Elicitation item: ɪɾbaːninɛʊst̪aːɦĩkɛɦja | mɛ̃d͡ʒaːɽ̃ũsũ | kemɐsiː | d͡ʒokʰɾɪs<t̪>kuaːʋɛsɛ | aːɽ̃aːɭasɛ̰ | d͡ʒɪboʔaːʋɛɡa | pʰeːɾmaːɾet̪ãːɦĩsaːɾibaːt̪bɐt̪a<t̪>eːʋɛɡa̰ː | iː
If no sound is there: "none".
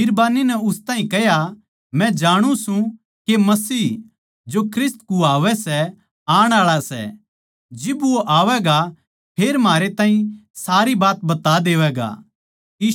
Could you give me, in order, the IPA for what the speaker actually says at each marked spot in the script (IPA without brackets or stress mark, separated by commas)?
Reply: t̪, d̪